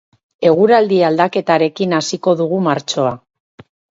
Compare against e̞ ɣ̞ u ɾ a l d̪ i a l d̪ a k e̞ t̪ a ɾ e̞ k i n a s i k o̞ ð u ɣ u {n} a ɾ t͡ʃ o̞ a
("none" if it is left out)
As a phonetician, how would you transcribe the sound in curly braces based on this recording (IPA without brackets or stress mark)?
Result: m